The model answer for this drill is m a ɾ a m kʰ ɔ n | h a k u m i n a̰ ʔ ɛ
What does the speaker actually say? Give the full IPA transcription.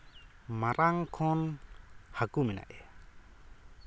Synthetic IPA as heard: m a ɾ a ŋ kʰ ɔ n | h a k u m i n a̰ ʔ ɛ